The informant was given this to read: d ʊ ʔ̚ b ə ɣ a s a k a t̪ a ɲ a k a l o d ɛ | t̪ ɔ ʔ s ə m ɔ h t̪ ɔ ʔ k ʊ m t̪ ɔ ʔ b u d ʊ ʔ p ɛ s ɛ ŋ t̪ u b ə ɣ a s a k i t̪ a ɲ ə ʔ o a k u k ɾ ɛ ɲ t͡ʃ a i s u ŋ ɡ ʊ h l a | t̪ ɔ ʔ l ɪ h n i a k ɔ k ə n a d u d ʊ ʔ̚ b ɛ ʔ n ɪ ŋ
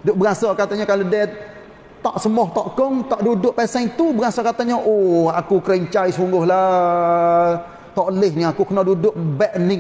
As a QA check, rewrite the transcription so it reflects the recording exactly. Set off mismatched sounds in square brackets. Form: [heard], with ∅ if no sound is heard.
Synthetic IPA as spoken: d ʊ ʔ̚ b ə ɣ a s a k a t̪ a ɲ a k a l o d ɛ | t̪ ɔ ʔ s ə m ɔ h t̪ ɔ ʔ k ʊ [ŋ] t̪ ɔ ʔ [d] u d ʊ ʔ p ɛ s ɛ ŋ t̪ u b ə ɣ a s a k [a] t̪ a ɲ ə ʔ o a k u k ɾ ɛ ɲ t͡ʃ a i s u ŋ ɡ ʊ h l a | t̪ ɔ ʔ l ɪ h n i a k [u] k ə n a d u d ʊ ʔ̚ b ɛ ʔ n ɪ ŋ